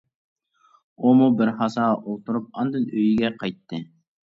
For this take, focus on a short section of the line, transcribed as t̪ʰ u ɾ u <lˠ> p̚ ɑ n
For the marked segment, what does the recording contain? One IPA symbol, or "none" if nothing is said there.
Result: none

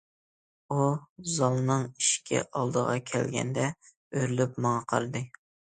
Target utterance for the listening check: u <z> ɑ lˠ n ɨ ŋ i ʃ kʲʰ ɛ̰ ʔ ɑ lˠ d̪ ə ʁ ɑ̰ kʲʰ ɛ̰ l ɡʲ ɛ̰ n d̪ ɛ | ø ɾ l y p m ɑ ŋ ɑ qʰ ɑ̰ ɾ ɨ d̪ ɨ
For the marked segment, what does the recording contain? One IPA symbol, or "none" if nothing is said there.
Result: z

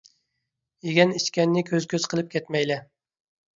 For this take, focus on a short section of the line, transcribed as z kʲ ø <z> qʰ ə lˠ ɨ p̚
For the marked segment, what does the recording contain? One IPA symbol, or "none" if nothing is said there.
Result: z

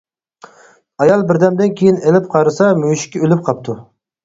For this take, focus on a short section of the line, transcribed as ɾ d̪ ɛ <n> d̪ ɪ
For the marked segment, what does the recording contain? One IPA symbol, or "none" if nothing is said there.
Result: m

